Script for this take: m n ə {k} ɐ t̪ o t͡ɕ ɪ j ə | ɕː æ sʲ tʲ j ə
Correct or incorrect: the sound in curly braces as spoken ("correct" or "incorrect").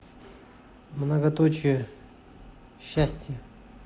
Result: incorrect